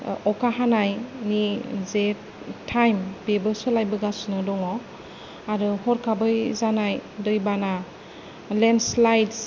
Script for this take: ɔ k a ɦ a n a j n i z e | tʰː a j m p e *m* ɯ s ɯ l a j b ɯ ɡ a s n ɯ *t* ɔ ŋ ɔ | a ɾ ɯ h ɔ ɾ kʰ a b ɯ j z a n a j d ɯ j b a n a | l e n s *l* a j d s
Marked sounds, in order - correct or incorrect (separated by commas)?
incorrect, incorrect, correct